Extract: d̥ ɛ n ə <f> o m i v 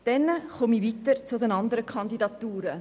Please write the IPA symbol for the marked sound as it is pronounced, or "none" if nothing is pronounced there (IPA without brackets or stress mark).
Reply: χ